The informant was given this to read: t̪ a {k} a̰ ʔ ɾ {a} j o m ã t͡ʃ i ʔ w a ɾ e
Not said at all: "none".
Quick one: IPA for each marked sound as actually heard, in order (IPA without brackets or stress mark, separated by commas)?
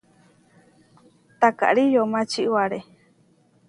k, i